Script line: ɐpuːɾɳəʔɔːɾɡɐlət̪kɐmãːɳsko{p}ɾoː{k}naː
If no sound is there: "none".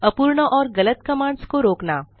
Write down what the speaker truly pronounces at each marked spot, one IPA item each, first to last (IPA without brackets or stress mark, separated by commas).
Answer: none, k